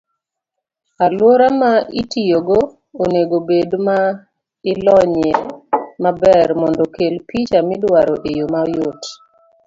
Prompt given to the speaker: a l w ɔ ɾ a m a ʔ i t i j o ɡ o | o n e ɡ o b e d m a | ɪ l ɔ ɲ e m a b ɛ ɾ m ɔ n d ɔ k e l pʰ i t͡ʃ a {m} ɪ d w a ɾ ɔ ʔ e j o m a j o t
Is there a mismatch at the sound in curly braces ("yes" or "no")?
no